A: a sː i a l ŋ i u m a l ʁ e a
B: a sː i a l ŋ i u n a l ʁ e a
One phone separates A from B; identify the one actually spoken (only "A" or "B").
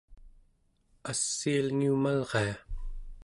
A